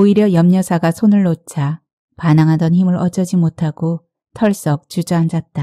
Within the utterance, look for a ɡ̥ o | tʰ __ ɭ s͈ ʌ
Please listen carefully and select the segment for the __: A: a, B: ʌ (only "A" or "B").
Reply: B